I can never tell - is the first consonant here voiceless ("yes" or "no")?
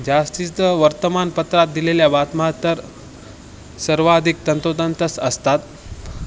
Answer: no